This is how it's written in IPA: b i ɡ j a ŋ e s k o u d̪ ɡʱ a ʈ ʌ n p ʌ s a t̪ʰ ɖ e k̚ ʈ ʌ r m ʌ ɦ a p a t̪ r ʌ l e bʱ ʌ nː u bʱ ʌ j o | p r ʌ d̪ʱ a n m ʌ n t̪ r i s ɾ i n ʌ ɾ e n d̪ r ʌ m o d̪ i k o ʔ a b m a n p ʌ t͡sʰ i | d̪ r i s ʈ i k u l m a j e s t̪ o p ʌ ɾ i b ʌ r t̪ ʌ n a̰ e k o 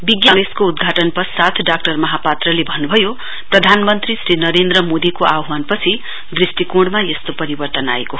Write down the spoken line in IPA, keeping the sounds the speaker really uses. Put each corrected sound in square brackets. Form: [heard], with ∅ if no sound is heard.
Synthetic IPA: b i ɡ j a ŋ e s k o u d̪ ɡʱ a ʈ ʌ n p ʌ s a t̪ʰ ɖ [a] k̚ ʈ ʌ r m ʌ ɦ a p a t̪ r ʌ l e bʱ ʌ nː u bʱ ʌ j o | p r ʌ d̪ʱ a n m ʌ n t̪ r i s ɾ i n ʌ ɾ e n d̪ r ʌ m o d̪ i k o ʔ a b m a n p ʌ t͡sʰ i | d̪ r i s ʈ i k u [ɽ] m a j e s t̪ o p ʌ ɾ i b ʌ r t̪ ʌ n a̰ e k o